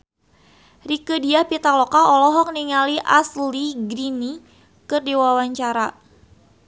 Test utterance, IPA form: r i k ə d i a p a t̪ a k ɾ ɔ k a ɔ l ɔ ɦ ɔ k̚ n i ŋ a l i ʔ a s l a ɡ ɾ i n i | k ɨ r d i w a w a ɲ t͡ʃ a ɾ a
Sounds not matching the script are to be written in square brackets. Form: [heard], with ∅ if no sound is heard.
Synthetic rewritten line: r i k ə d i a p [i] t̪ a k [l] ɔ k a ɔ l ɔ ɦ ɔ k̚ n i ŋ a l i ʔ a s l [i] ɡ ɾ i n i | k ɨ r d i w a w a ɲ t͡ʃ a ɾ a